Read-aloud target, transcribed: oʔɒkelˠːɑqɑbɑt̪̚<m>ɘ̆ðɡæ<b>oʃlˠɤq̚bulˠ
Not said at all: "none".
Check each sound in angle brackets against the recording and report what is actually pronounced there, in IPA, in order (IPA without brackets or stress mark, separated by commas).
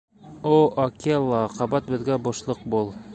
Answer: b, b